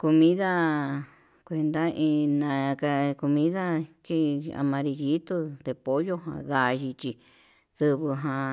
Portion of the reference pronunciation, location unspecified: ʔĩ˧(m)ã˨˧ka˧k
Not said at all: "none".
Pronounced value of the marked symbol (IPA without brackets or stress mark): n